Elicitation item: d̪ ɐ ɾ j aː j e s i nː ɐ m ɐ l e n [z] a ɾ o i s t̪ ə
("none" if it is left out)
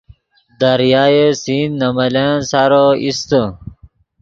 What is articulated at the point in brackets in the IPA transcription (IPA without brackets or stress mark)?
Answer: s